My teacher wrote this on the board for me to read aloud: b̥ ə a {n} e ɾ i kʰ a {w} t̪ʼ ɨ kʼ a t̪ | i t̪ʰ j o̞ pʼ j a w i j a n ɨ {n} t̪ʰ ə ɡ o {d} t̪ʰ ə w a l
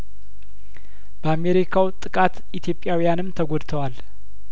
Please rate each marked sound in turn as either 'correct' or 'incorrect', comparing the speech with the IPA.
incorrect: m, correct, incorrect: m, correct

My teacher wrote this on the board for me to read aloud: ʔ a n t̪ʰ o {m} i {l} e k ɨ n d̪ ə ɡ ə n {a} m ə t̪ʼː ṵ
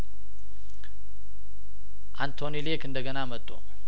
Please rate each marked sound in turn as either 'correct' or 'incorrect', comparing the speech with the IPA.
incorrect: n, correct, correct

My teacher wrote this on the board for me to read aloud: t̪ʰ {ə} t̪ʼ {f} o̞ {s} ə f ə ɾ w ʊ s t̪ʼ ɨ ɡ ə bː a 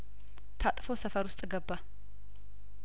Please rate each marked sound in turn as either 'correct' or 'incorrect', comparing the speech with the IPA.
incorrect: a, correct, correct

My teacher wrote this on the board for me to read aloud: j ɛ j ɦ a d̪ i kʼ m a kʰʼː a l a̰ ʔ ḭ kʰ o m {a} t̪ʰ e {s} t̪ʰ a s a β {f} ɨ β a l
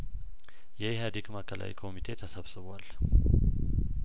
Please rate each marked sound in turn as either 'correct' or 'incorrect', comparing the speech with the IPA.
incorrect: i, incorrect: none, incorrect: s

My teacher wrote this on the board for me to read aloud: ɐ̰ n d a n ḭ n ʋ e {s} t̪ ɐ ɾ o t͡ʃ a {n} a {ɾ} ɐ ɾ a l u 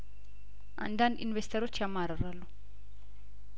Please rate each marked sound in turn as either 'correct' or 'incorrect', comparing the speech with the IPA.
correct, incorrect: m, correct

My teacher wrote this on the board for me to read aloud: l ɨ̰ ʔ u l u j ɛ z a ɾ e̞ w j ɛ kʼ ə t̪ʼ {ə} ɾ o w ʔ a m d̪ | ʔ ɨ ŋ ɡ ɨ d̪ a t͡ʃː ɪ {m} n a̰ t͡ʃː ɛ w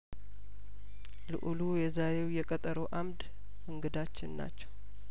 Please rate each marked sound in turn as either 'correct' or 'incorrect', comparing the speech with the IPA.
correct, incorrect: n

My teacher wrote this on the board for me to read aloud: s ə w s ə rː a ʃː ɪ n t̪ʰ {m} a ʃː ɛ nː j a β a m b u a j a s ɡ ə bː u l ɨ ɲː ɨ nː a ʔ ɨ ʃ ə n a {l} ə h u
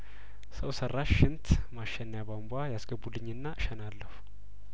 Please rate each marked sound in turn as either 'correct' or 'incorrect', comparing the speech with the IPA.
correct, incorrect: lː

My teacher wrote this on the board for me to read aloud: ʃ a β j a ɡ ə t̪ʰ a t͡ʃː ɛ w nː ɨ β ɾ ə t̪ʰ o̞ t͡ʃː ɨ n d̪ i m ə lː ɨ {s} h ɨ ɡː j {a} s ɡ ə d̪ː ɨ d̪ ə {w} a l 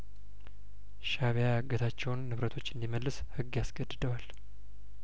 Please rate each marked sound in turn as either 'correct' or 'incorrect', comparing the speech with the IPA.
correct, correct, correct

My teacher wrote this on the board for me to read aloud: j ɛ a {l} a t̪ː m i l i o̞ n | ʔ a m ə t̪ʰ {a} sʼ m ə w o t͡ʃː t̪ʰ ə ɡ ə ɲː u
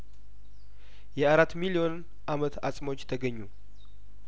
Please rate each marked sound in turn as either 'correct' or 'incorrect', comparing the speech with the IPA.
incorrect: ɾ, correct

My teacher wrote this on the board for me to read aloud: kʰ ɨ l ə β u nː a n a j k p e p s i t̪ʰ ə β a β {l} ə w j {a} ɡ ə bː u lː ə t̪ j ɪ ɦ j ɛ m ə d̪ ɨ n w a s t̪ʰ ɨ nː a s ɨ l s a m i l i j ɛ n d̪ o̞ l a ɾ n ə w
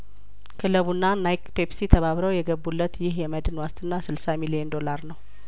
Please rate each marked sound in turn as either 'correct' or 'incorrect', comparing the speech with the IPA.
incorrect: ɾ, incorrect: ɛ

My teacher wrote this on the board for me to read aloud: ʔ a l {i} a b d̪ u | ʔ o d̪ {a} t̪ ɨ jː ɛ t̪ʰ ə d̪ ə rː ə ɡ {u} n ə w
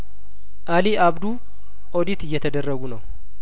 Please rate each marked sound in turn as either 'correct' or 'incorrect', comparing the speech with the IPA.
correct, incorrect: i, correct

